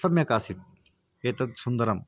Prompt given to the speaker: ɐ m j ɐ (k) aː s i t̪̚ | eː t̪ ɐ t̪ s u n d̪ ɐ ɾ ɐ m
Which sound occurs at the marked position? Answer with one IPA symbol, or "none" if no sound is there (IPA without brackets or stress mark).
k